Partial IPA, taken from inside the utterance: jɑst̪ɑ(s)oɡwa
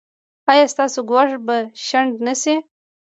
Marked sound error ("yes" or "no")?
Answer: no